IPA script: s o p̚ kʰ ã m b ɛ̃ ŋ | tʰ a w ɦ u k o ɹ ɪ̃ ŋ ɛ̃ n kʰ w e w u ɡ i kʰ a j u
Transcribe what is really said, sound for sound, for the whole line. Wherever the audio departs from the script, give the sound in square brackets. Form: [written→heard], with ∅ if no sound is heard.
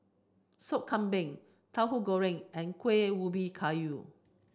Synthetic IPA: s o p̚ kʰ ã m b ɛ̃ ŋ | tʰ a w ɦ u [k→ɡ] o ɹ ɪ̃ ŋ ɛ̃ n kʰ w e w u [ɡ→b] i kʰ a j u